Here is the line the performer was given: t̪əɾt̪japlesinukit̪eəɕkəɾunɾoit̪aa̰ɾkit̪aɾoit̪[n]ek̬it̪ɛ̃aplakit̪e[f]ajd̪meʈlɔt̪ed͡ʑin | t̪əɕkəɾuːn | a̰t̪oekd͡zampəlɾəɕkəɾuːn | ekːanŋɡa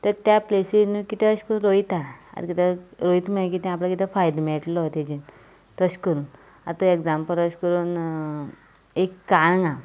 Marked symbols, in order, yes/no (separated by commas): no, yes